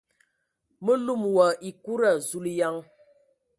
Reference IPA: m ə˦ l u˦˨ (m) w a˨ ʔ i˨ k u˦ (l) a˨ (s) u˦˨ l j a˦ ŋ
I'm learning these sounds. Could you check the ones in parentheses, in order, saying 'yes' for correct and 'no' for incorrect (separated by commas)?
yes, no, no